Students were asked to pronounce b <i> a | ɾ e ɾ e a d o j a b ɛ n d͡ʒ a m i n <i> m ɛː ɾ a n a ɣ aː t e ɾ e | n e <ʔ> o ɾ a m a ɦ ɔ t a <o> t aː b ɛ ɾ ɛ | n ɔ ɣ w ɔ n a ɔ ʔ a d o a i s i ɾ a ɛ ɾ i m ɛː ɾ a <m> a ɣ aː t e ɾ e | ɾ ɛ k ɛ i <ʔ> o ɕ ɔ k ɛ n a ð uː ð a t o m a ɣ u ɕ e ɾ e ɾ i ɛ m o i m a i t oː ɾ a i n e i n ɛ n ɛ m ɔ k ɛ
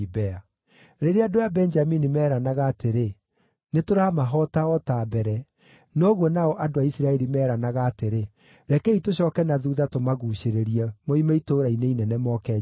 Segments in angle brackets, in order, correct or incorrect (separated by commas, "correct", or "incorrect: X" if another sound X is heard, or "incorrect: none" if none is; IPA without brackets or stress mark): incorrect: ɛ, correct, incorrect: t, incorrect: ɔ, incorrect: n, incorrect: t